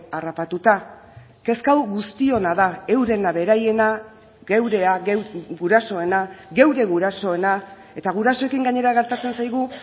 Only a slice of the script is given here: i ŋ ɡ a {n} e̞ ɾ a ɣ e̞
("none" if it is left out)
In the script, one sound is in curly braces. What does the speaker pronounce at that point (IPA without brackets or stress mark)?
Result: ɲ